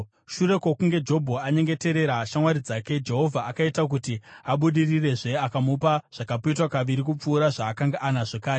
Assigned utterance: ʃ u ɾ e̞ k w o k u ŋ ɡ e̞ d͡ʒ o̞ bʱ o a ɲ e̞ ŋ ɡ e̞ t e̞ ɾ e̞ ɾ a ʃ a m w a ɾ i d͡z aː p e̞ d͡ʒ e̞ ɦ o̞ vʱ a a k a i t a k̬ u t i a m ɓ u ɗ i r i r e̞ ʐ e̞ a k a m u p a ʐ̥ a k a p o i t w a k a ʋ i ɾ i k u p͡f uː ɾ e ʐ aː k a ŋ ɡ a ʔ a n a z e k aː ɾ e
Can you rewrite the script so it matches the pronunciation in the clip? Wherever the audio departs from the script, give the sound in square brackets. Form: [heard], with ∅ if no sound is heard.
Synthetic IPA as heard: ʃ u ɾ e̞ k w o k u ŋ ɡ e̞ d͡ʒ o̞ bʱ o a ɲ e̞ ŋ ɡ e̞ t e̞ ɾ e̞ ɾ a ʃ a m w a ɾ i d͡z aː [k] e̞ d͡ʒ e̞ ɦ o̞ vʱ a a k a i t a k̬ u t i a [∅] ɓ u ɗ i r i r e̞ ʐ e̞ a k a m u p a ʐ̥ a k a p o i t w a k a ʋ i ɾ i k u p͡f uː ɾ [a] ʐ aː k a ŋ ɡ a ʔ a n a [ʐ] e k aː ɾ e